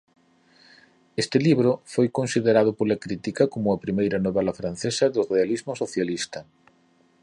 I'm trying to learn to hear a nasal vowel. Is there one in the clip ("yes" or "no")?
no